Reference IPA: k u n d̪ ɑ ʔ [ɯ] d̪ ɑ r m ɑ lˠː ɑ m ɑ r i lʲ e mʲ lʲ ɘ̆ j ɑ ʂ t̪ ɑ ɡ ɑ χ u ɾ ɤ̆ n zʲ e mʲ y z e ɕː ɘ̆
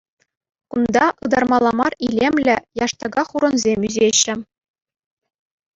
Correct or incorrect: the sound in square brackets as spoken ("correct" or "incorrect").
correct